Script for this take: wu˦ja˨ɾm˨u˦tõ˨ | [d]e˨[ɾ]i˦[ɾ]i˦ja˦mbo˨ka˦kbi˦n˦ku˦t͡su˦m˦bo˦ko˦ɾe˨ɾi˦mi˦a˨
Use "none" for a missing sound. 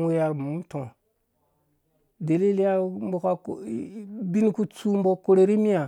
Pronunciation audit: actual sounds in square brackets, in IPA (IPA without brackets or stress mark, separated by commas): d, l, l